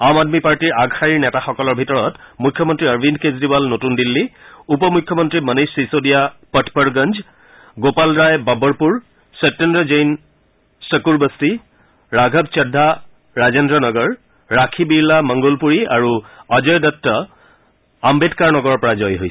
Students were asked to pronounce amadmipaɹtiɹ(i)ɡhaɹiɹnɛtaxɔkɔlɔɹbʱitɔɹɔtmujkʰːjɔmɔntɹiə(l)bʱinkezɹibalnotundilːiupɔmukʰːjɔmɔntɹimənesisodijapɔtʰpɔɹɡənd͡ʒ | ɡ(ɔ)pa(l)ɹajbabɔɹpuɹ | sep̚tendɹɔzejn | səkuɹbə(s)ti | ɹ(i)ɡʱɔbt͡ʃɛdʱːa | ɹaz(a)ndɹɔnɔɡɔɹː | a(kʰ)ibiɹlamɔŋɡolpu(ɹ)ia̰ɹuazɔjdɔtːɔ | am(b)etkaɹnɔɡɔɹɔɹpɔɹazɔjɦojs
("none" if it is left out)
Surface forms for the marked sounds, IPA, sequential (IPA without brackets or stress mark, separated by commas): a, ɹ, o, l, s, a, e, kʰ, ɹ, b